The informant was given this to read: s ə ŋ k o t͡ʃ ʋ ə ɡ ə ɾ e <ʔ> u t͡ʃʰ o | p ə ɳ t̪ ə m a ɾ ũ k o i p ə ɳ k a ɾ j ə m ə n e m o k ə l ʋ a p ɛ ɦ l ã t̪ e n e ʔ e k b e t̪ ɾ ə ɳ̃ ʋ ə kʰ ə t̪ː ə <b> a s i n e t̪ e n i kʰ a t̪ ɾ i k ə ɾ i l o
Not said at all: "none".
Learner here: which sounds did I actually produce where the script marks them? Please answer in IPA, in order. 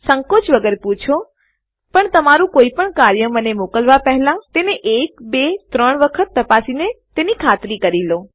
p, p

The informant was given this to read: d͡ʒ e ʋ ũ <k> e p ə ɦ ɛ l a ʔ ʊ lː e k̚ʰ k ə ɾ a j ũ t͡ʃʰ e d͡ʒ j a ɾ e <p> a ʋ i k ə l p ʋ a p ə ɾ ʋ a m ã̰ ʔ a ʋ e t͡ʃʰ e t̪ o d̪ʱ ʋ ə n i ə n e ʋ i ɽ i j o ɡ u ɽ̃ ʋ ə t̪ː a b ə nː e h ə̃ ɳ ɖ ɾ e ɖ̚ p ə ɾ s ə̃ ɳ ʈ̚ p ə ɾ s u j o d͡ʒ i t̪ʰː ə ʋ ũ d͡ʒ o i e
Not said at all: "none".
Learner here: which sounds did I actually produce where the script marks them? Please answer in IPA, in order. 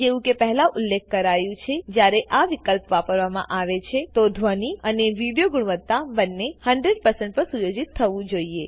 k, ʔ

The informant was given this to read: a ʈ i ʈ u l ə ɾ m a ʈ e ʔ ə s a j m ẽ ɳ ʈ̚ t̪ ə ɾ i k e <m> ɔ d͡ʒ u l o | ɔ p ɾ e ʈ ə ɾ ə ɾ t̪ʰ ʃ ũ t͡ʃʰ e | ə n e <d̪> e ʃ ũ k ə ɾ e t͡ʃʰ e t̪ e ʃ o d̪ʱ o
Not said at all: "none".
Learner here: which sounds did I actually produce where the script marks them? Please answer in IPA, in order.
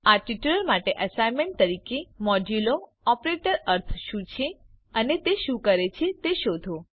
m, t̪

